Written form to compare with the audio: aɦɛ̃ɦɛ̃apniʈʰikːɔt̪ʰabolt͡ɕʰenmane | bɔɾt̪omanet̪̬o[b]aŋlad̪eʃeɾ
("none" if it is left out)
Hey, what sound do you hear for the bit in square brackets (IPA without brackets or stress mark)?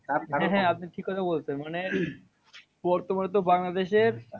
b